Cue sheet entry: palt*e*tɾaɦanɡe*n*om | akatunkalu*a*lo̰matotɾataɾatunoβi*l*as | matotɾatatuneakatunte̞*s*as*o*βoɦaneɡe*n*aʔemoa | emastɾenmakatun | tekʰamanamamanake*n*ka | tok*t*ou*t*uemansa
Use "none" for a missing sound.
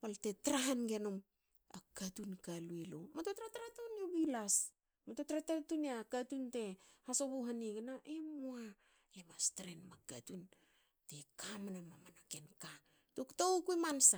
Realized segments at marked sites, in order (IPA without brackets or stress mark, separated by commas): e, n, e, l, h, o, n, n, t, k